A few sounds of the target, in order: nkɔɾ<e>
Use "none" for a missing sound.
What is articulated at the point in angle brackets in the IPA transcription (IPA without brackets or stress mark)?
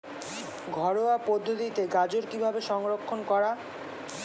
a